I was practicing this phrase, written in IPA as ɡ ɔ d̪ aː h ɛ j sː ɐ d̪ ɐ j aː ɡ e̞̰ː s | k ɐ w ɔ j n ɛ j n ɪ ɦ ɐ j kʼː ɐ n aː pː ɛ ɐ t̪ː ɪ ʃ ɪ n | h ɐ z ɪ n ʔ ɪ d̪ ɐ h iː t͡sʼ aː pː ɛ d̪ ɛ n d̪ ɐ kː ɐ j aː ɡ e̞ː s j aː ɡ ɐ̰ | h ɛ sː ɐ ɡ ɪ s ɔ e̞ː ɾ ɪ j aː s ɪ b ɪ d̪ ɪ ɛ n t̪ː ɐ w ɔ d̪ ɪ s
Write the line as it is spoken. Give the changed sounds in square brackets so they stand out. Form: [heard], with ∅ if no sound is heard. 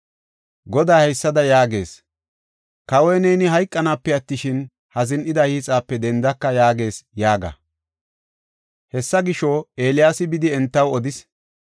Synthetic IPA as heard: ɡ ɔ d̪ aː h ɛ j sː ɐ d̪ ɐ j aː ɡ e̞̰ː s | k ɐ w ɔ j n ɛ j n ɪ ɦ ɐ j kʼː ɐ n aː pː ɛ ɐ t̪ː ɪ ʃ ɪ n | h ɐ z ɪ n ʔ ɪ d̪ ɐ h iː t͡sʼ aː pː ɛ d̪ ɛ n d̪ ɐ kː ɐ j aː ɡ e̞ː s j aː ɡ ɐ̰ | h ɛ sː ɐ ɡ ɪ [ʃ] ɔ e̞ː [l] ɪ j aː s ɪ b ɪ d̪ ɪ ɛ n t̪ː ɐ w ɔ d̪ ɪ s

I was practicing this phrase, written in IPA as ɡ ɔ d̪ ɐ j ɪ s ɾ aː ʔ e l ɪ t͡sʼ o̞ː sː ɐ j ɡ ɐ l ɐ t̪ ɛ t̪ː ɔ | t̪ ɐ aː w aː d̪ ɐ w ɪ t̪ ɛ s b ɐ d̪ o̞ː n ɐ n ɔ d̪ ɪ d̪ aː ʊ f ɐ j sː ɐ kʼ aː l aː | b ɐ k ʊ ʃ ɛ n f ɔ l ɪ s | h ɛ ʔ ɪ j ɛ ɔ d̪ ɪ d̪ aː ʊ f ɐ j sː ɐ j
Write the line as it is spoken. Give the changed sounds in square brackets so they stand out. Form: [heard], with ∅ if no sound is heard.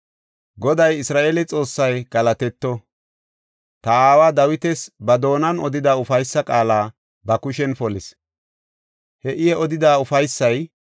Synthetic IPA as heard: ɡ ɔ d̪ ɐ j ɪ s ɾ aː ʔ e l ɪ t͡sʼ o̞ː sː ɐ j ɡ ɐ l ɐ t̪ ɛ t̪ː ɔ | t̪ ɐ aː w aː d̪ ɐ w ɪ t̪ ɛ s b ɐ d̪ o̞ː n ɐ n ɔ d̪ ɪ d̪ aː ʊ f ɐ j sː ɐ kʼ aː l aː | b ɐ k ʊ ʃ ɛ n f ɔ l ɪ s | h ɛ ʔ ɪ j ɛ ɔ d̪ ɪ d̪ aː ʊ f ɐ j sː ɐ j

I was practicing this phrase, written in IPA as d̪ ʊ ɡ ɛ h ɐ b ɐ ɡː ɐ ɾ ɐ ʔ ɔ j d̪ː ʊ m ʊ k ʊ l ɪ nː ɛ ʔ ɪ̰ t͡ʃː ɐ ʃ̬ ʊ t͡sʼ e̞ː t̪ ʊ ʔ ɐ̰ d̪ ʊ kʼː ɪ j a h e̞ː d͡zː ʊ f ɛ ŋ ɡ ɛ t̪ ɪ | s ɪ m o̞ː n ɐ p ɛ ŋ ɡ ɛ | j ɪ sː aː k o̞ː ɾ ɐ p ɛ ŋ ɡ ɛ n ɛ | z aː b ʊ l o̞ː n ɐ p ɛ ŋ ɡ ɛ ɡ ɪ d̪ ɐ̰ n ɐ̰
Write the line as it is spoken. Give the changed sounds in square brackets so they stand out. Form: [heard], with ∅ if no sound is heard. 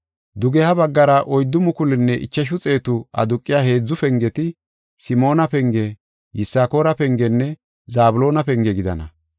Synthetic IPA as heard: d̪ ʊ ɡ ɛ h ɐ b ɐ ɡː ɐ ɾ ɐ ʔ ɔ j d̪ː ʊ m ʊ k ʊ l ɪ nː ɛ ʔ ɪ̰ t͡ʃː ɐ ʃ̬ ʊ t͡sʼ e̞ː t̪ ʊ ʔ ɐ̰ d̪ ʊ kʼː ɪ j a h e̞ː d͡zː ʊ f ɛ ŋ ɡ ɛ t̪ ɪ | s ɪ m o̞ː n ɐ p ɛ ŋ ɡ ɛ | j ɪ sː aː k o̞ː ɾ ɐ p ɛ ŋ ɡ ɛ [nː] ɛ | z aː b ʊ l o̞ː n ɐ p ɛ ŋ ɡ ɛ ɡ ɪ d̪ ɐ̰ n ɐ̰

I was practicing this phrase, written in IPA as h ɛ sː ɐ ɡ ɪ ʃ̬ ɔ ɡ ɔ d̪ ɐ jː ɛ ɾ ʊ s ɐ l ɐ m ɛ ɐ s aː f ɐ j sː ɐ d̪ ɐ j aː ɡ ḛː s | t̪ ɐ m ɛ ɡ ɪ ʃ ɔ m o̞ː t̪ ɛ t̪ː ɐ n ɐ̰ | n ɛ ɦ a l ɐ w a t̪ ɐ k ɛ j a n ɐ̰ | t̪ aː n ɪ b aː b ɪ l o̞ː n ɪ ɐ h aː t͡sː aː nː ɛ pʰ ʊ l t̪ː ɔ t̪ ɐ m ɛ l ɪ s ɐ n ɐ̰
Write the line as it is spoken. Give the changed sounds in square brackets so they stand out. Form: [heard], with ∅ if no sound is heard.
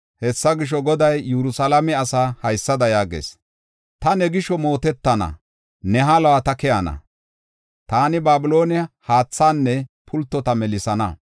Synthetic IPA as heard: h ɛ sː ɐ ɡ ɪ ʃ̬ ɔ ɡ ɔ d̪ ɐ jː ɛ ɾ ʊ s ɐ l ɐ m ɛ ɐ s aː [h] ɐ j sː ɐ d̪ ɐ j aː ɡ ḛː s | t̪ ɐ [n] ɛ ɡ ɪ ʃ ɔ m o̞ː t̪ ɛ t̪ː ɐ n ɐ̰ | n ɛ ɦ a l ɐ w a t̪ ɐ k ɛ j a n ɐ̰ | t̪ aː n ɪ b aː b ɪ l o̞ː n ɪ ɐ h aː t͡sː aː nː ɛ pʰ ʊ l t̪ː ɔ t̪ ɐ m ɛ l ɪ s ɐ n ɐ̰

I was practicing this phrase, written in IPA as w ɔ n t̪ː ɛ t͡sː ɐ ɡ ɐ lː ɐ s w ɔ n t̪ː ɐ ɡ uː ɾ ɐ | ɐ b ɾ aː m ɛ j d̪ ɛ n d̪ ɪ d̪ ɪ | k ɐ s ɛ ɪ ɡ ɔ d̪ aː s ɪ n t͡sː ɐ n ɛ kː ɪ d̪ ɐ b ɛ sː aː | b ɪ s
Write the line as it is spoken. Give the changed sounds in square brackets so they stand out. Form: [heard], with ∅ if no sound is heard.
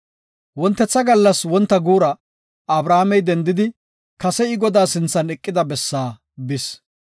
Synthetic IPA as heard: w ɔ n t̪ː ɛ t͡sː ɐ ɡ ɐ lː ɐ s w ɔ n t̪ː ɐ ɡ uː ɾ ɐ | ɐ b ɾ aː m ɛ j d̪ ɛ n d̪ ɪ d̪ ɪ | k ɐ s ɛ ɪ ɡ ɔ d̪ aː s ɪ n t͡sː ɐ n ɛ [kʼː] ɪ d̪ ɐ b ɛ sː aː | b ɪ s

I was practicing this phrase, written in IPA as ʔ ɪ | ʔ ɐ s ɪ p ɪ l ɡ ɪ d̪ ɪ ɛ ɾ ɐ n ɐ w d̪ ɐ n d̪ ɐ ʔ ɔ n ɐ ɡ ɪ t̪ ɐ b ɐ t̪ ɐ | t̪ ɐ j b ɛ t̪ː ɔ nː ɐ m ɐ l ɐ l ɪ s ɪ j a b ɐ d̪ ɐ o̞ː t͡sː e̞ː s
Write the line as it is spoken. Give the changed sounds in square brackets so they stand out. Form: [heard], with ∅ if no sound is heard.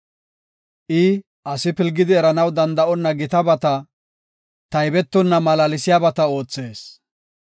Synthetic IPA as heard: ʔ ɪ | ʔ ɐ s ɪ p ɪ l ɡ ɪ d̪ ɪ ɛ ɾ ɐ n ɐ w d̪ ɐ n d̪ ɐ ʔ ɔ [nː] ɐ ɡ ɪ t̪ ɐ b ɐ t̪ ɐ | t̪ ɐ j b ɛ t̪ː ɔ nː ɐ m ɐ l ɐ l ɪ s ɪ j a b ɐ [t̪] ɐ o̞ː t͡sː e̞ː s

